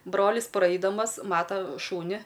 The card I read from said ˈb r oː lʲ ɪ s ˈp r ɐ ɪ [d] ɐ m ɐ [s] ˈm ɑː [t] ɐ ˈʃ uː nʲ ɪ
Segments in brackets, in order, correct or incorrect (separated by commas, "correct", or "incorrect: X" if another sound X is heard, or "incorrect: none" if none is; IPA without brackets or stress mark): correct, correct, correct